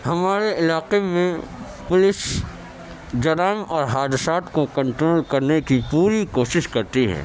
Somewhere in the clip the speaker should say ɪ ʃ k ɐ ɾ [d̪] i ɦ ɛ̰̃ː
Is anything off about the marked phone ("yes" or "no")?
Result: yes